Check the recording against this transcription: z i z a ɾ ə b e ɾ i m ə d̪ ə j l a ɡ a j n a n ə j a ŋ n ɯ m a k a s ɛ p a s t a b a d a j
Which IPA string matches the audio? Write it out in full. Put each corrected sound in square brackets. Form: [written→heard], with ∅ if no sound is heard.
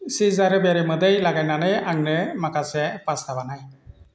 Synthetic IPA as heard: [z→s] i z a ɾ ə b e ɾ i m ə d̪ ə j l a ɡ a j n a n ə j a ŋ n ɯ m a k a s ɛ p a s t a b a [d→n] a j